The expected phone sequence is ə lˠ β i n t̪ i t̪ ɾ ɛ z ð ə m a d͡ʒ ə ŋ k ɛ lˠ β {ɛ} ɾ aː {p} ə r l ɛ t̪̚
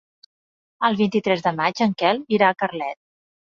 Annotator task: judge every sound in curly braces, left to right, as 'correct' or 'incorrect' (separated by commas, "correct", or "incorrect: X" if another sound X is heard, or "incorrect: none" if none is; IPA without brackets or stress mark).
incorrect: i, incorrect: k